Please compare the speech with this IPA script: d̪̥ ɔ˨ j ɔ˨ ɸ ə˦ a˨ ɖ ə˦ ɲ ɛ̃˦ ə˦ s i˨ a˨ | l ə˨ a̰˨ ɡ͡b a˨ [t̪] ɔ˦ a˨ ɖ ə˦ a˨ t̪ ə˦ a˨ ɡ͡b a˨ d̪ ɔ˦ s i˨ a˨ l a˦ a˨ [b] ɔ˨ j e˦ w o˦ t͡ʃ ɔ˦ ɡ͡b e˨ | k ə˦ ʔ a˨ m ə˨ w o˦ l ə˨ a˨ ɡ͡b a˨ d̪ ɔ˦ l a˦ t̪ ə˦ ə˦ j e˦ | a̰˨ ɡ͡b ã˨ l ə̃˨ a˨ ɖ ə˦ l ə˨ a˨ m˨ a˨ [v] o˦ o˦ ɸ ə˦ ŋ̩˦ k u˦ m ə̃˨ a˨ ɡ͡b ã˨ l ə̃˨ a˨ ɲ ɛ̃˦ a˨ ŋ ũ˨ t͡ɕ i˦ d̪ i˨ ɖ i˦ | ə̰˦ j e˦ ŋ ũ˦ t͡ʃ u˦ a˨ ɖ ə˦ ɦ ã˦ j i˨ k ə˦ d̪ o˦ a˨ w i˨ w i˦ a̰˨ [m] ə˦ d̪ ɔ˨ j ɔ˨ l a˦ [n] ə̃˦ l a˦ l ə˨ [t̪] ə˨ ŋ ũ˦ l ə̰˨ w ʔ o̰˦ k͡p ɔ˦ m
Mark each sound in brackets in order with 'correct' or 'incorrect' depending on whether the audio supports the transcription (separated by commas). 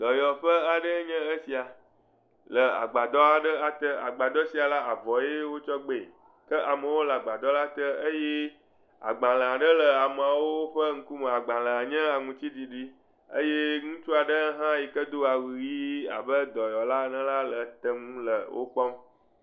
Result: incorrect, incorrect, incorrect, incorrect, correct, correct